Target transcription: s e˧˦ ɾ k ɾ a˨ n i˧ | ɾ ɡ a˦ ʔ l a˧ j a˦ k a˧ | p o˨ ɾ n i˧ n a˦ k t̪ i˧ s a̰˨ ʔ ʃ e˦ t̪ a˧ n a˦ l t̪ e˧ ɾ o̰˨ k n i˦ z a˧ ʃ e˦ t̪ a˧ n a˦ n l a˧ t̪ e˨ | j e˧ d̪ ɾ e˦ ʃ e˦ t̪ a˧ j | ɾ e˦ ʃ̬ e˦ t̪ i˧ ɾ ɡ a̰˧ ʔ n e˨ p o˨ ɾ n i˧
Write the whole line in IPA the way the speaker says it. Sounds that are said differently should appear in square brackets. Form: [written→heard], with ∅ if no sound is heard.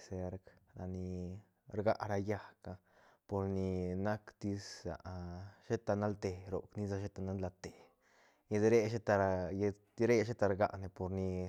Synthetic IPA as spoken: s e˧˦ ɾ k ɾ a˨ n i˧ | ɾ ɡ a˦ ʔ [l→ɾ] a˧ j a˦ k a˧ | p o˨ ɾ n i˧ n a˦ k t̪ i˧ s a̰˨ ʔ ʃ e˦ t̪ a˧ n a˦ l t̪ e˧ ɾ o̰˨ k n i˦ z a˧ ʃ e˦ t̪ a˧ n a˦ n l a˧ t̪ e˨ | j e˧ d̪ ɾ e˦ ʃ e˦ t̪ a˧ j | ɾ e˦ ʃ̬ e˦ t̪ [i˧→a˧] ɾ ɡ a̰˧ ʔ n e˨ p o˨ ɾ n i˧